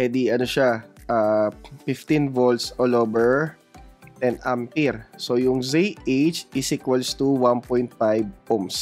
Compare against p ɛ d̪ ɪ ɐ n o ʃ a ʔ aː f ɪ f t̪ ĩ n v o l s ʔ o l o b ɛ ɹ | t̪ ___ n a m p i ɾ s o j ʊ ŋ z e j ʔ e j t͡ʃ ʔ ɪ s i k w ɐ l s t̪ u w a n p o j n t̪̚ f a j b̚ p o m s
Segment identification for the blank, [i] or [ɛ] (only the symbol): ɛ